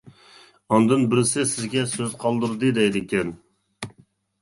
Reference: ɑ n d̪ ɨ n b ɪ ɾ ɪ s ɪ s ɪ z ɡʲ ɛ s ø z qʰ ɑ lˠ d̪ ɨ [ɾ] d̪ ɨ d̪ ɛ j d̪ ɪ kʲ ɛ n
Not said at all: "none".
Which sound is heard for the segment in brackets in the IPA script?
ɾ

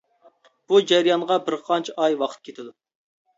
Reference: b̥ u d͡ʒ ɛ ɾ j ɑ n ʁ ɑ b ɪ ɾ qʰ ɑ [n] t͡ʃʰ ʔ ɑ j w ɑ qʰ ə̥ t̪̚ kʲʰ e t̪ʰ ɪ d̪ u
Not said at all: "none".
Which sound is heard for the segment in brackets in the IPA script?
n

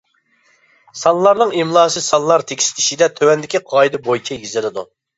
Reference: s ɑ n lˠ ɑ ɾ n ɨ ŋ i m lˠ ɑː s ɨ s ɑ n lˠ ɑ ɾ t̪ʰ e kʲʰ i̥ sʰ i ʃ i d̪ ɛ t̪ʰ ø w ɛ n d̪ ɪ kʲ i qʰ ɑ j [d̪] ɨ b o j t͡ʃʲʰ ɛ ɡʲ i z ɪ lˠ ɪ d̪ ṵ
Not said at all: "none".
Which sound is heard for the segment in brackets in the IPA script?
d̪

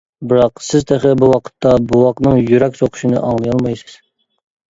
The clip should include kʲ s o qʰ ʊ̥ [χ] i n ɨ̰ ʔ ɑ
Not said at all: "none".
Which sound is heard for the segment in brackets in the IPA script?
ʃ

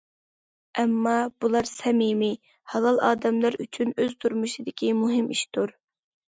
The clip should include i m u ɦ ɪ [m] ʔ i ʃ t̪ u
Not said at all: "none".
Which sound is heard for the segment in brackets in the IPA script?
m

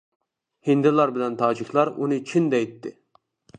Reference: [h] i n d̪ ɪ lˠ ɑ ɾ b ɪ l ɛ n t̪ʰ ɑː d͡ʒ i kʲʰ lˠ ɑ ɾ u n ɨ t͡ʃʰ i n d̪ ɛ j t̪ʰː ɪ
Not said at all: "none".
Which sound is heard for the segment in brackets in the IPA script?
h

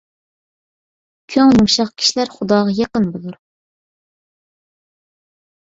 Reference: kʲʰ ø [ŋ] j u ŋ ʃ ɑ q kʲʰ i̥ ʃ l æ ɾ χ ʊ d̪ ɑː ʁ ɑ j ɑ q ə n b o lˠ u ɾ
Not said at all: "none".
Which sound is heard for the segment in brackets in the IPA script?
ŋ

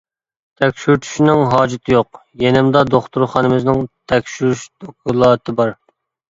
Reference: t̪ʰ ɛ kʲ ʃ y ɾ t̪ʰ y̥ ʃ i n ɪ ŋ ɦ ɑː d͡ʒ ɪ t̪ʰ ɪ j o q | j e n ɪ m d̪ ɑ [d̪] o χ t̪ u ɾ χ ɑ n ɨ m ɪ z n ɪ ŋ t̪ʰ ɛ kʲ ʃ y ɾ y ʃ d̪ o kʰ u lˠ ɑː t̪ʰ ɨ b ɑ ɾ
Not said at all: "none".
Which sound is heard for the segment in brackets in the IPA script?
d̪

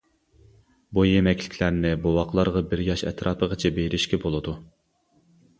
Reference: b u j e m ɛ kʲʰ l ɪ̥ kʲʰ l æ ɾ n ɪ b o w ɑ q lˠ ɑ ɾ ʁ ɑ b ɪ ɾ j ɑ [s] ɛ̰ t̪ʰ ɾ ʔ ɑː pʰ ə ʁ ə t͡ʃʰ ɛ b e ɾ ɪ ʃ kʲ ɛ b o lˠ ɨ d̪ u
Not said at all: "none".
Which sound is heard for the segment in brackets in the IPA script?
ʃ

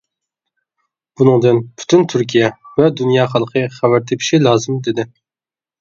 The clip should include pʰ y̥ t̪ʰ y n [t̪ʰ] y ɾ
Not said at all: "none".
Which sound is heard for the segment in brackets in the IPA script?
t̪ʰ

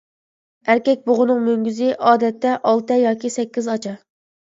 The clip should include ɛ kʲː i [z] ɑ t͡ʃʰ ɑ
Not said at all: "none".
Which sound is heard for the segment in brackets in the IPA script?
z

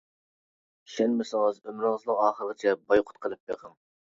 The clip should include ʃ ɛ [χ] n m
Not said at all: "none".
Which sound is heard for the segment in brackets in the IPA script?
none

